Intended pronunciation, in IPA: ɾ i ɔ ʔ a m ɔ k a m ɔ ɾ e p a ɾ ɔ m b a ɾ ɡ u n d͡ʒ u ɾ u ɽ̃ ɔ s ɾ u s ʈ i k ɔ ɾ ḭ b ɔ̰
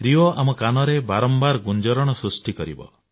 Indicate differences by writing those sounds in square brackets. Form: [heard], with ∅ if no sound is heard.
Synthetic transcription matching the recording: ɾ i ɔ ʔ a m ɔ k a [n] ɔ ɾ e [b] a ɾ ɔ m b a ɾ ɡ u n d͡ʒ [ɔ] ɾ [ɔ] ɽ̃ ɔ s ɾ u s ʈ i k ɔ ɾ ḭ b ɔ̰